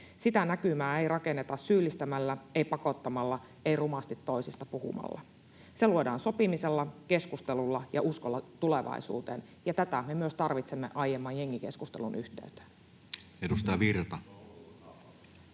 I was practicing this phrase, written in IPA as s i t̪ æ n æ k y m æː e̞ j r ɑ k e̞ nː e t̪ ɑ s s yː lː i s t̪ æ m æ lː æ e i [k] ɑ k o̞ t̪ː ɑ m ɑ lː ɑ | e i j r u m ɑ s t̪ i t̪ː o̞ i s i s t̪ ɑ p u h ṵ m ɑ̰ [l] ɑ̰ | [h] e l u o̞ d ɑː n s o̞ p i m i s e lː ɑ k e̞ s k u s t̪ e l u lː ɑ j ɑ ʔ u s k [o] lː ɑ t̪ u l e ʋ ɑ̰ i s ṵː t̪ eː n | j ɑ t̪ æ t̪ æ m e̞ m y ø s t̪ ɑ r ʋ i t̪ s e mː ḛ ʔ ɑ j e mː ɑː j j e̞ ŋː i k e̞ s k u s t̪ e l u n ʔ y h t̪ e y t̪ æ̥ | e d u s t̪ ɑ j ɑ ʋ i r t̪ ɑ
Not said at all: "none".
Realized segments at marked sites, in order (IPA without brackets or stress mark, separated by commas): p, lː, s, o